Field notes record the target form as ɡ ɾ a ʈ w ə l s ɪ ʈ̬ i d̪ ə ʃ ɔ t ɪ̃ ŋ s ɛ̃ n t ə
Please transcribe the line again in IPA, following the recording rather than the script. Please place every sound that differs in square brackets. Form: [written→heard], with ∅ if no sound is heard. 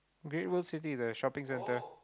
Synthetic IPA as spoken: ɡ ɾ [a→e] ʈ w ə l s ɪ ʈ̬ i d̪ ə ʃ ɔ [t→p] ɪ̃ ŋ s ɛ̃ n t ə